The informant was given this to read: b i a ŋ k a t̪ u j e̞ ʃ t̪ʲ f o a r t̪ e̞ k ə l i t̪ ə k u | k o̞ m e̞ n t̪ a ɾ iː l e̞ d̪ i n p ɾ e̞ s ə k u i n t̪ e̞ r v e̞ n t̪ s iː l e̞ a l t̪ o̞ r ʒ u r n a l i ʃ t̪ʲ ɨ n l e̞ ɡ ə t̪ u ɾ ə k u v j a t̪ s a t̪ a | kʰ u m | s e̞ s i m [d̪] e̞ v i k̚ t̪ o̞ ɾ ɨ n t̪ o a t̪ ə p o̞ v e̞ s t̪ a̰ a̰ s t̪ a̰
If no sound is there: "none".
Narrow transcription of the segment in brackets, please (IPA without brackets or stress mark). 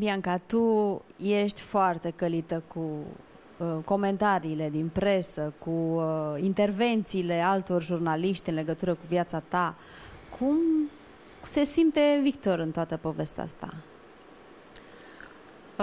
t̪